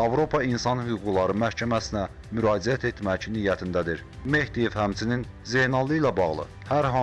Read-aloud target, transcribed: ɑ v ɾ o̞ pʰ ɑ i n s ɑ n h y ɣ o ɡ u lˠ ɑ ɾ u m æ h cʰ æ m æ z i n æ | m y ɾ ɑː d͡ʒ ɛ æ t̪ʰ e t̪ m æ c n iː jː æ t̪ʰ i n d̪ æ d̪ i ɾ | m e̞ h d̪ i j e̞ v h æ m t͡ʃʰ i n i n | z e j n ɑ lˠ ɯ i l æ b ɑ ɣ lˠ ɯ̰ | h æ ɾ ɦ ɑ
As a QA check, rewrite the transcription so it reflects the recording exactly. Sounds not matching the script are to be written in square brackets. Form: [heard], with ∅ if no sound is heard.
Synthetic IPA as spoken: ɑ v ɾ o̞ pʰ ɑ i n s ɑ n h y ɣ [u] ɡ u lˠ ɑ ɾ [ɯ] m æ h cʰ æ m æ [s] i n æ | m y ɾ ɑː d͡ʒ [i] æ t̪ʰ e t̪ m æ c n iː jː æ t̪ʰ i n d̪ æ d̪ i ɾ | m e̞ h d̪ i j e̞ v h æ m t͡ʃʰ i n i n | z e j n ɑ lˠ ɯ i l æ b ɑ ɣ lˠ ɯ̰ | h æ ɾ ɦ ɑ